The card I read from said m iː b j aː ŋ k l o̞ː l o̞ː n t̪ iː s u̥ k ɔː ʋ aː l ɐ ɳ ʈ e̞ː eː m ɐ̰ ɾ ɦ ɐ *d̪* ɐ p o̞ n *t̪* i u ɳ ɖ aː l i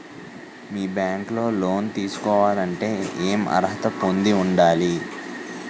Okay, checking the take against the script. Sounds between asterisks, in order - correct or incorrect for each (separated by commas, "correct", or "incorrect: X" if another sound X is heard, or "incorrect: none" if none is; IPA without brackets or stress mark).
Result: incorrect: t̪, incorrect: d̪